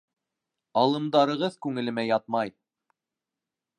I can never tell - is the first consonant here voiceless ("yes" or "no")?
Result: no